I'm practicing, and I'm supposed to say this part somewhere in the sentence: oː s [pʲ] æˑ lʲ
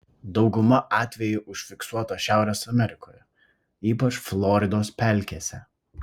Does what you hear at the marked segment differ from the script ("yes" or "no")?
no